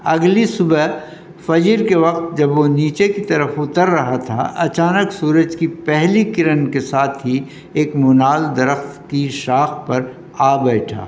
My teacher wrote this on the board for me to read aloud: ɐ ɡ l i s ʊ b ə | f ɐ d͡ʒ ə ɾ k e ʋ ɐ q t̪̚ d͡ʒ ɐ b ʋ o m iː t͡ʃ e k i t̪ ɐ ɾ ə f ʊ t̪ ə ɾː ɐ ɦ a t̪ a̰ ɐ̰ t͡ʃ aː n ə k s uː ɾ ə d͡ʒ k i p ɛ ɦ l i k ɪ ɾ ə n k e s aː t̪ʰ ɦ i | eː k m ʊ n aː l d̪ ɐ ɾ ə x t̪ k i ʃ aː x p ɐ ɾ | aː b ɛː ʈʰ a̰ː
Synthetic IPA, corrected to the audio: ɐ ɡ l i s ʊ b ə | f ɐ d͡ʒ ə ɾ k e ʋ ɐ q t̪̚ d͡ʒ ɐ b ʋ o n iː t͡ʃ e k i t̪ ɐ ɾ ə f ʊ t̪ ə ɾː ɐ ɦ a t̪ʰ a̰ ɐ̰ t͡ʃ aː n ə k s uː ɾ ə d͡ʒ k i p ɛ ɦ l i k ɪ ɾ ə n k e s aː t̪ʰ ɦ i | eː k m ʊ n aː l d̪ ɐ ɾ ə x t̪ k i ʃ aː x p ɐ ɾ | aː b ɛː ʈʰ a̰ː